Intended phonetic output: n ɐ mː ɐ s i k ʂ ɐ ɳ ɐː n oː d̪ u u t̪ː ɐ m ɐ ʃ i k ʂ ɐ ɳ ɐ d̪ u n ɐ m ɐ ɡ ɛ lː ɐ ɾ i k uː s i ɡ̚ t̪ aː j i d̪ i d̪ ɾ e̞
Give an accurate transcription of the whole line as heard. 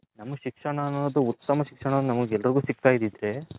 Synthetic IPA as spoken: n ɐ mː ɐ ʃ i k ʂ ɐ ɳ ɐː n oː d̪ u u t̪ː ɐ m ɐ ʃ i k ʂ ɐ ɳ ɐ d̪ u n ɐ m ɐ ɡ ɛ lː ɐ ɾ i ɡ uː s i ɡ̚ t̪ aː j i d̪ i d̪ ɾ e̞